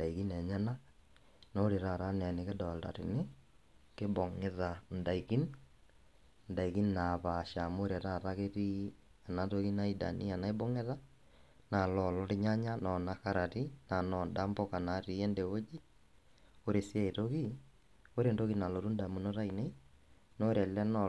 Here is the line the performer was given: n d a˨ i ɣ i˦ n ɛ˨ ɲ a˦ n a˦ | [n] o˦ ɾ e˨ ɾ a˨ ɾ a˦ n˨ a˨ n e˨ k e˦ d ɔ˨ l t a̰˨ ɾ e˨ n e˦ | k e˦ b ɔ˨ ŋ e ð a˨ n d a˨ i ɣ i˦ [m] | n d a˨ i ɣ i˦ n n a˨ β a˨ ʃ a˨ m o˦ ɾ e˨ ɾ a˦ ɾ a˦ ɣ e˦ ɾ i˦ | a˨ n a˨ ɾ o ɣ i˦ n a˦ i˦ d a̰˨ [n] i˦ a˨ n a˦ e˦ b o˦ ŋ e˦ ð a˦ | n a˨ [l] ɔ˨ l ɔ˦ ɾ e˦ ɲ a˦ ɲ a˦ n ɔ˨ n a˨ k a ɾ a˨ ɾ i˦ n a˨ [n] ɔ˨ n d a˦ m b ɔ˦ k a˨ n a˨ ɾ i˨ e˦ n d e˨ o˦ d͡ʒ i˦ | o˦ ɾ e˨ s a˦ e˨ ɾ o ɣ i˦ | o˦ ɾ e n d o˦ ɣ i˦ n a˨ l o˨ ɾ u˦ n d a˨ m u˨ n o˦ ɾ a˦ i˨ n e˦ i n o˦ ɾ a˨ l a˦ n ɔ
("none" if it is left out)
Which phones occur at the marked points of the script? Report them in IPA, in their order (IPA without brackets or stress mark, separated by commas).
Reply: n, n, n, l, n